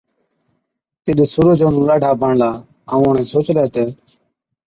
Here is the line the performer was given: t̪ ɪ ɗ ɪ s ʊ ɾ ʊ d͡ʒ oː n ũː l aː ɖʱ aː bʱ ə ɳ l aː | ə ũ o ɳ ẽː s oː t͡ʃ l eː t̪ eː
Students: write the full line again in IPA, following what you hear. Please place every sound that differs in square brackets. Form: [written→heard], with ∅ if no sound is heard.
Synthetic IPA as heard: t̪ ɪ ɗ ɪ s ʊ ɾ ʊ d͡ʒ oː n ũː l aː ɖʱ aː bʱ ə ɳ l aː | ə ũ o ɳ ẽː s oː t͡ʃ l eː t̪ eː